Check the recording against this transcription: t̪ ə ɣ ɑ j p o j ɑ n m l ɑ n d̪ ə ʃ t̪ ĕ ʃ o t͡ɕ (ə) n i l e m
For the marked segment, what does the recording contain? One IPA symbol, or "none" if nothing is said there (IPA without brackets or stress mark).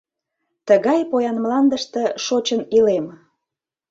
ə